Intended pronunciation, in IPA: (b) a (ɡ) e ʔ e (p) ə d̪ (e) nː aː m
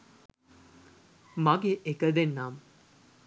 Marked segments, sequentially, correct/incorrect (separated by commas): incorrect, correct, incorrect, correct